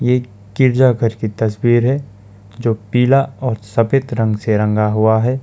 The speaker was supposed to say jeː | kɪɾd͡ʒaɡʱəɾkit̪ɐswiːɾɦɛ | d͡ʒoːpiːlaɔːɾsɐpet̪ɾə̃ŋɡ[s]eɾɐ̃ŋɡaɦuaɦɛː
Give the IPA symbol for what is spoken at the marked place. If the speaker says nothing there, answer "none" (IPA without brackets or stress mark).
s